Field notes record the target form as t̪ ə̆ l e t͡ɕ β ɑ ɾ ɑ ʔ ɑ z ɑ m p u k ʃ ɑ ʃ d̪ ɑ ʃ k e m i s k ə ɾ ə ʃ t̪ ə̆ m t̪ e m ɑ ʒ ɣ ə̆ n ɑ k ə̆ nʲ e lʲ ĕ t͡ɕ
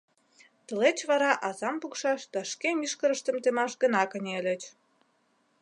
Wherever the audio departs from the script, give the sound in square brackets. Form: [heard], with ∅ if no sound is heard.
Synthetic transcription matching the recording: t̪ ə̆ l e t͡ɕ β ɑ ɾ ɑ ʔ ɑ z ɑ m p u k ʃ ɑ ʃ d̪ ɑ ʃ k e m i [ʃ] k ə ɾ ə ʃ t̪ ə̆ m t̪ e m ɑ [ʃ] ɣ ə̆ n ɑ k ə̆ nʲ e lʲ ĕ t͡ɕ